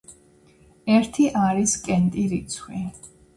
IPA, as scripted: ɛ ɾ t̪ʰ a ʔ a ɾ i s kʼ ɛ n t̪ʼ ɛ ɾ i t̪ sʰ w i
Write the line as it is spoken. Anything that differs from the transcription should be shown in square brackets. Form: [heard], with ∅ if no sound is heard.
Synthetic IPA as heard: ɛ ɾ t̪ʰ [i] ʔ a ɾ i s kʼ ɛ n t̪ʼ [i] ɾ i t̪ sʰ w i